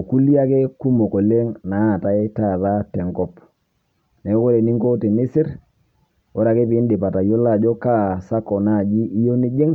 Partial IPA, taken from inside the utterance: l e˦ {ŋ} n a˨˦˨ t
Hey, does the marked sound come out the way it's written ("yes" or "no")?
yes